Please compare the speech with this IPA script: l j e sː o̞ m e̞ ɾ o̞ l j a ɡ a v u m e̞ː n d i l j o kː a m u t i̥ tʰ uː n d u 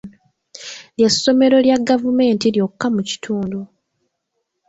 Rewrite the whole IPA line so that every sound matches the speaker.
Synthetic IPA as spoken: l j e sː o̞ m e̞ ɾ o̞ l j a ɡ a v u m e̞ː n t i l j o kː a m u c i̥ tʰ uː n d u